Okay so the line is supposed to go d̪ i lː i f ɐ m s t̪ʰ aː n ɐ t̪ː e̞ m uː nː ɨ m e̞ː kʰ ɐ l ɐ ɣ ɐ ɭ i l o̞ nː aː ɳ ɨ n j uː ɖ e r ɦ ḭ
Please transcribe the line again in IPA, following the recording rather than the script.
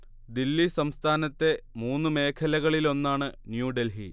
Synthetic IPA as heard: d̪ i lː i s ɐ m s t̪ʰ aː n ɐ t̪ː e̞ m uː nː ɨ m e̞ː kʰ ɐ l ɐ ɣ ɐ ɭ i l o̞ nː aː ɳ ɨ n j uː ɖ e l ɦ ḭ

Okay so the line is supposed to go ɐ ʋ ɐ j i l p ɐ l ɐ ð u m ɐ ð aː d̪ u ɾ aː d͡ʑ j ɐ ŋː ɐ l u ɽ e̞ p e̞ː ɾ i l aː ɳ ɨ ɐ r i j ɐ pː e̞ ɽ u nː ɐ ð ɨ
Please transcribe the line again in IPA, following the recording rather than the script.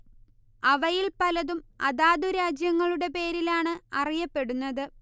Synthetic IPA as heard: ɐ ʋ ɐ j i l p ɐ l ɐ ð u m ɐ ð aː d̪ u ɾ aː d͡ʑ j ɐ ŋː ɐ ɭ u ɽ e̞ p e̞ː ɾ i l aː ɳ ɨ ɐ r i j ɐ pː e̞ ɽ u nː ɐ ð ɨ

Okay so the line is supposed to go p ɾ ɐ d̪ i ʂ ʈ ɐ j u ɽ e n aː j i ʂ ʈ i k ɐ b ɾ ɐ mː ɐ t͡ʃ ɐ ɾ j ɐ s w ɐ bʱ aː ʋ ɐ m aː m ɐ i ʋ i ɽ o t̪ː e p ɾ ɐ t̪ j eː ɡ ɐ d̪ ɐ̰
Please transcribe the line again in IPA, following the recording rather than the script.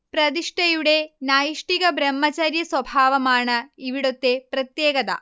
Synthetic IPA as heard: p ɾ ɐ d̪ i ʂ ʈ ɐ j u ɽ e n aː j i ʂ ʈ i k ɐ b ɾ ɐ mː ɐ t͡ʃ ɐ ɾ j ɐ s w ɐ bʱ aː ʋ ɐ m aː ɳ ɐ i ʋ i ɽ o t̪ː e p ɾ ɐ t̪ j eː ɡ ɐ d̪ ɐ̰

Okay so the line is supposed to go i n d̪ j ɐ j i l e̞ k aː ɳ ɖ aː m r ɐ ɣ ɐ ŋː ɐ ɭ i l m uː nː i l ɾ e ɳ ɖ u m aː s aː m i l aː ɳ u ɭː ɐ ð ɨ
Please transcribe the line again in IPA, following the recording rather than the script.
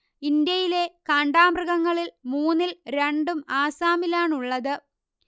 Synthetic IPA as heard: i n d̪ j ɐ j i l e̞ k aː ɳ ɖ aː m r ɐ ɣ ɐ ŋː ɐ ɭ i l m uː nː i l ɾ e ɳ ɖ u m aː s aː m i l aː ɳ u ɭː ɐ ð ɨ

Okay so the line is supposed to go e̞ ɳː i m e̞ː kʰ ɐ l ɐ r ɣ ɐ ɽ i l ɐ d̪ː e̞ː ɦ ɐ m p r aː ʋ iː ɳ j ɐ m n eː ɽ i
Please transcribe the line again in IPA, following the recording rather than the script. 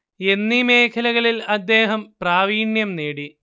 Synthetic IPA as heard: e̞ nː i m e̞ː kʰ ɐ l ɐ ɣ ɐ ɭ i l ɐ d̪ː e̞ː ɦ ɐ m p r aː ʋ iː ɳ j ɐ m n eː ɽ i

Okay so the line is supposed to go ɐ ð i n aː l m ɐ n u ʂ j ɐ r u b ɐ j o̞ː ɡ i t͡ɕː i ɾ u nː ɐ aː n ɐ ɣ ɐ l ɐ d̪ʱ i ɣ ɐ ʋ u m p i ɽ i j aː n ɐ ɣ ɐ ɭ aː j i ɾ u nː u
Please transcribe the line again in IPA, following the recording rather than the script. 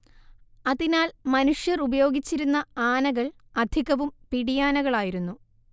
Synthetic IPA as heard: ɐ ð i n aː l m ɐ n u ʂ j ɐ r u b ɐ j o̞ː ɡ i t͡ɕː i ɾ u nː ɐ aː n ɐ ɣ ɐ ɭ ɐ d̪ʱ i ɣ ɐ ʋ u m p i ɽ i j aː n ɐ ɣ ɐ ɭ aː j i ɾ u nː u

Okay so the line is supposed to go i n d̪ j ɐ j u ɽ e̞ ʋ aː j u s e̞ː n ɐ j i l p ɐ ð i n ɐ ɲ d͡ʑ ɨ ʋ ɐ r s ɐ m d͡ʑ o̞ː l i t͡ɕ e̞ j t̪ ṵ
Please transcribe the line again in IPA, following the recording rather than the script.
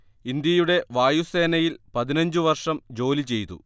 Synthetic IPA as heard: i n d̪ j ɐ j u ɽ e̞ ʋ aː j u s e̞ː n ɐ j i l p ɐ ð i n ɐ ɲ d͡ʑ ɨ ʋ ɐ r ʂ ɐ m d͡ʑ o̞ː l i t͡ɕ e̞ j t̪ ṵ

